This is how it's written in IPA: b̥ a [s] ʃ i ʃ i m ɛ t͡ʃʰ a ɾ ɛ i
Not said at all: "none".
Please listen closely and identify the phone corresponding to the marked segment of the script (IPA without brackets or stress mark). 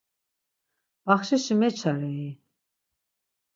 χ